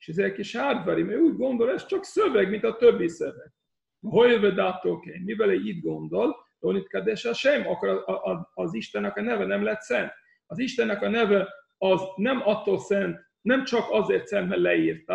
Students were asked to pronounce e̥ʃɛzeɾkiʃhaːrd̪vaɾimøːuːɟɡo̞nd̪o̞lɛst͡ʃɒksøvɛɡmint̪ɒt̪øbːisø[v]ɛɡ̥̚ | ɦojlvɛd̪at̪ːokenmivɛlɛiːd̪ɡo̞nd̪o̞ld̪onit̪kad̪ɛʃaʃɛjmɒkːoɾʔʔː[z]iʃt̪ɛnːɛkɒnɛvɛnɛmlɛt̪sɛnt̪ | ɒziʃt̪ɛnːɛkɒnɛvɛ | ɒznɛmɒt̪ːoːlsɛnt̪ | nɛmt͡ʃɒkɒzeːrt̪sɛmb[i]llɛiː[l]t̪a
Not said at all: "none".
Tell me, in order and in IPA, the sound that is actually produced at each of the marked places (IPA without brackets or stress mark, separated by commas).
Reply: v, z, ɛ, r